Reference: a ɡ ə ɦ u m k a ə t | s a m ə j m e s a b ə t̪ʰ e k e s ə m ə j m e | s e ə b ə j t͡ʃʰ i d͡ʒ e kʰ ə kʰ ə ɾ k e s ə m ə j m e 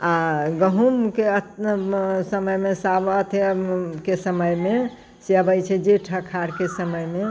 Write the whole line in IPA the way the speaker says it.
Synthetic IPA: a ɡ ə ɦ u m k e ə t | s ə m ə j m e s a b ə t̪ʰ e k e s ə m ə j m e | s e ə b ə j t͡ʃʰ ɛ d͡ʒ e ʈʰ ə kʰ a ɾ k e s ə m ə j m e